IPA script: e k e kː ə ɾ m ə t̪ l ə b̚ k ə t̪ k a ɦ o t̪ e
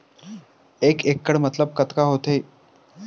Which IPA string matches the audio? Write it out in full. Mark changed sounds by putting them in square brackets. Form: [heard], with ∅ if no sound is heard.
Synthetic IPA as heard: e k e kː ə [ɽ] m ə t̪ l ə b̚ k ə t̪ k a ɦ o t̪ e